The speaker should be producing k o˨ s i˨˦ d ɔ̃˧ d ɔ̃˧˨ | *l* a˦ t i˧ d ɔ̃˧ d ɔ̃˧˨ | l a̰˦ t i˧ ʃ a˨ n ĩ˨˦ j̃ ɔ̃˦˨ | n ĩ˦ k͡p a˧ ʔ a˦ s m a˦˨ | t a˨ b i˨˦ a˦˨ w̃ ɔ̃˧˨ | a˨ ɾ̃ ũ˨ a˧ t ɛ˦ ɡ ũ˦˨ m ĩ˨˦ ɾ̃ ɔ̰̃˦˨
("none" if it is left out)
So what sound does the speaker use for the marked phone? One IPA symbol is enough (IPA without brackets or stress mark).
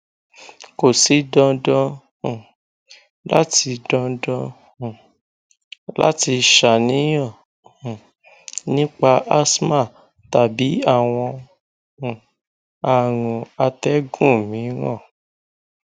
l